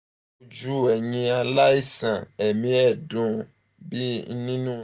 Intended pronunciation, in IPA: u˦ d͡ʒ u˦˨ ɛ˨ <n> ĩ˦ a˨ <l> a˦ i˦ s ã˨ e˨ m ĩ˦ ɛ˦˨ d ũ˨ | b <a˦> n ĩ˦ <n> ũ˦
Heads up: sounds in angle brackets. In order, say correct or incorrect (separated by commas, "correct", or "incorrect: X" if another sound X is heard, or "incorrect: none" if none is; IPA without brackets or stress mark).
incorrect: ɲ, correct, incorrect: i˦, correct